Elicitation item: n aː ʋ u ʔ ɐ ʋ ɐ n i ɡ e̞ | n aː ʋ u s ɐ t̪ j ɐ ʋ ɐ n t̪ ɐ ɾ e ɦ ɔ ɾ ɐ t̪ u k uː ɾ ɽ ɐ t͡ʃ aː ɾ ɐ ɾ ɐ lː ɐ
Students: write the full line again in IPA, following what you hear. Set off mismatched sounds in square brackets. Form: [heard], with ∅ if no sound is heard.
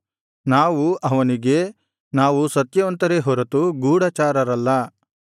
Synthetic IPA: n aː ʋ u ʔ ɐ ʋ ɐ n i ɡ e̞ | n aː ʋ u s ɐ t̪ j ɐ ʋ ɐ n t̪ ɐ ɾ e ɦ ɔ ɾ ɐ t̪ u [ɡ] uː [∅] ɽ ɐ t͡ʃ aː ɾ ɐ ɾ ɐ lː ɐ